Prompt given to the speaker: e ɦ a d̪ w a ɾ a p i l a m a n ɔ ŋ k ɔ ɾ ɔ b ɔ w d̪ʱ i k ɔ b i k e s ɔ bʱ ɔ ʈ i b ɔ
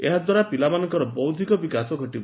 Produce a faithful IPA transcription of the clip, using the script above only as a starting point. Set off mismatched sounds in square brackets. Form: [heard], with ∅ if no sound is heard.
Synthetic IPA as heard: e ɦ a d̪ w a ɾ a p i l a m a n ɔ ŋ k ɔ ɾ ɔ b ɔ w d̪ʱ i k ɔ b i k [a] s ɔ [ɡʱ] ɔ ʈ i b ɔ